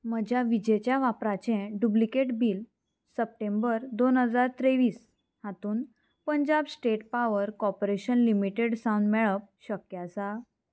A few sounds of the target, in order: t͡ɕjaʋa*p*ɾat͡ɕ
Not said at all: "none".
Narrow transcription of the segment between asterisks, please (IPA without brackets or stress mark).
p